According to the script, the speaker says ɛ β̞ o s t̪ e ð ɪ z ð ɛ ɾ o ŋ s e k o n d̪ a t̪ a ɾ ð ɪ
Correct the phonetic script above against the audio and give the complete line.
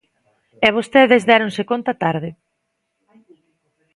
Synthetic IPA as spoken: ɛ β̞ o s t̪ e ð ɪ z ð ɛ ɾ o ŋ s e k o n t̪ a t̪ a ɾ ð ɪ